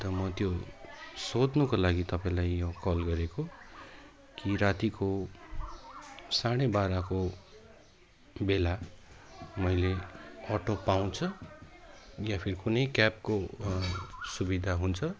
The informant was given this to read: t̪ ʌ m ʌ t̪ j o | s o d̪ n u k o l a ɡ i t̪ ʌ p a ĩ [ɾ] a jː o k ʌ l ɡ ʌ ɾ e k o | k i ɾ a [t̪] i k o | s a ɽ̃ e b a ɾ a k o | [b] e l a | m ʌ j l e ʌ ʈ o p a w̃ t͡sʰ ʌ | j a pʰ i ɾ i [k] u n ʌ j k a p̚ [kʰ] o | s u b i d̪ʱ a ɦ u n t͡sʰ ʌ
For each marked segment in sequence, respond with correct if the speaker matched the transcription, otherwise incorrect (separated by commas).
incorrect, correct, correct, correct, incorrect